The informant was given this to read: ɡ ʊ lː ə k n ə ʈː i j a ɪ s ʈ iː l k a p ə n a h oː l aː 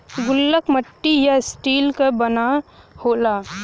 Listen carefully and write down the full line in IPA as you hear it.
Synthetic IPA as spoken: ɡ ʊ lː ə k m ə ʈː i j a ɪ s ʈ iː l k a b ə n a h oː l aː